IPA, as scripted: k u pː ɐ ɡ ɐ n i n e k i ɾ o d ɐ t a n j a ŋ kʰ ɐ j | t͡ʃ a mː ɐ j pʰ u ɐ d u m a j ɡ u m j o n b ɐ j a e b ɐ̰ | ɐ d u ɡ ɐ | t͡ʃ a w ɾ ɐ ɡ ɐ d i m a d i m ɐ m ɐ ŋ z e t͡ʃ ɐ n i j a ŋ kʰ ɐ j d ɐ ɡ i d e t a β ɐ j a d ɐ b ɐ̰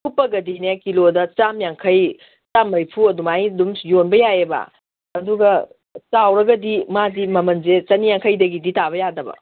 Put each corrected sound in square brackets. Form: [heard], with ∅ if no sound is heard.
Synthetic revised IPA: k u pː ɐ ɡ ɐ [d] i n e k i [l] o d ɐ [t͡ʃ] a [m] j a ŋ kʰ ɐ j | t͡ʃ a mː ɐ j pʰ u ɐ d u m a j [d] u m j o n b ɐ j a e b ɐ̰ | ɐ d u ɡ ɐ | t͡ʃ a w ɾ ɐ ɡ ɐ d i m a d i m ɐ m ɐ [n] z e t͡ʃ ɐ n i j a ŋ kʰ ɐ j d ɐ ɡ i d [i] t a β ɐ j a d ɐ b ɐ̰

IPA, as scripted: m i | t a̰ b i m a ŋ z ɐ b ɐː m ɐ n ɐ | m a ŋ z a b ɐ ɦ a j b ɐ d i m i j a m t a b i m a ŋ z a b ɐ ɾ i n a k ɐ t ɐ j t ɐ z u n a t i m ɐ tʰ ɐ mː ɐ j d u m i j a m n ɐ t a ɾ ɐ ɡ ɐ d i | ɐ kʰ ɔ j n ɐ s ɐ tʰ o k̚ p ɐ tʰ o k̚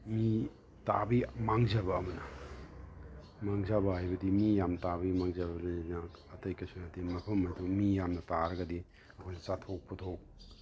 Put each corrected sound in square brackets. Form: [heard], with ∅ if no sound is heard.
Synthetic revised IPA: m i | t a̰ b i m a ŋ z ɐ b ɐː m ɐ n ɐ | m a ŋ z a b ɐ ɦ a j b ɐ d i m i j a m t a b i m a ŋ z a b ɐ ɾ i n a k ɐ t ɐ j [k] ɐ [s] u n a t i m ɐ [pʰ] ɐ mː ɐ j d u m i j a m n ɐ t a ɾ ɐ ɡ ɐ d i | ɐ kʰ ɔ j n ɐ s [a] tʰ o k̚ p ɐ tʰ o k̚

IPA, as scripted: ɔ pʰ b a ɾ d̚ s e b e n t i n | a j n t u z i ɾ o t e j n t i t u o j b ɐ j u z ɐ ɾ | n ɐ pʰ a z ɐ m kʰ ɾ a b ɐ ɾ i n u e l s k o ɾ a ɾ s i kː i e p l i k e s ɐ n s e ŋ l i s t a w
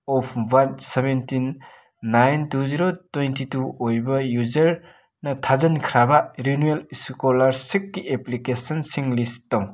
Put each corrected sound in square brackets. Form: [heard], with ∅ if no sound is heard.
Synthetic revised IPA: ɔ pʰ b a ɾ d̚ s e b e n t i [nː] | a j n t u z i ɾ o t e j n t i t u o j b ɐ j u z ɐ ɾ | n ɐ [tʰ] a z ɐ [n] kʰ ɾ a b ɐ ɾ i n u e l s k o [l] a ɾ s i kː i e p l i k e s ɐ n s [i] ŋ l i s t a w

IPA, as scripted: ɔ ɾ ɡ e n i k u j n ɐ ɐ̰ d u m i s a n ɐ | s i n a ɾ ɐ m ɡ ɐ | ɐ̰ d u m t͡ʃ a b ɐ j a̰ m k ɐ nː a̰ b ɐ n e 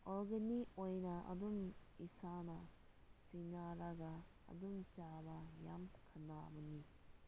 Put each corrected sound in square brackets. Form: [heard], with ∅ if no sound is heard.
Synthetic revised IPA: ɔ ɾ ɡ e n i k [o] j n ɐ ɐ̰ d u m i s a n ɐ | s i n a ɾ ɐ [∅] ɡ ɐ | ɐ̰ d u m t͡ʃ a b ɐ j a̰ m [kʰ] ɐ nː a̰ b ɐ n [i]

